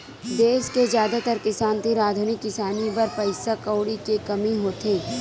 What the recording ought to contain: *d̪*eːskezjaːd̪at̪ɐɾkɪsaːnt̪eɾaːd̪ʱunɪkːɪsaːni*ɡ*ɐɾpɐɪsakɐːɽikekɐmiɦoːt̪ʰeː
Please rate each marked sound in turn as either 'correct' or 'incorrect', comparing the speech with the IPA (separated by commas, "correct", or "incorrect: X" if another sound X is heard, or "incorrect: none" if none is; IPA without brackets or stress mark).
correct, incorrect: b